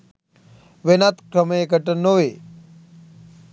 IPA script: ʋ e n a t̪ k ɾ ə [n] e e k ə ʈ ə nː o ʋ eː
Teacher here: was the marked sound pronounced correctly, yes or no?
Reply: no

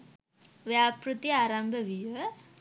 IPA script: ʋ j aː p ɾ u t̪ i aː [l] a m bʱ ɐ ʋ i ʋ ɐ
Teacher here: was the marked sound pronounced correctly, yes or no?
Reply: no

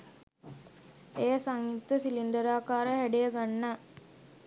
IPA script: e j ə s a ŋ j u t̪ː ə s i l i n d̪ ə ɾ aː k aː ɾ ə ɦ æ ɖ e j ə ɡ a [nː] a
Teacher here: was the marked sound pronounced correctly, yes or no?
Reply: yes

